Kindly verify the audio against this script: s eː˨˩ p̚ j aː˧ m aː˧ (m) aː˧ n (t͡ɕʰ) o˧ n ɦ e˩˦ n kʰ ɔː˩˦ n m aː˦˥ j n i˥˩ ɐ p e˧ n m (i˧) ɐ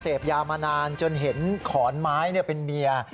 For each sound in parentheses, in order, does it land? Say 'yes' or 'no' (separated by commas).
no, no, yes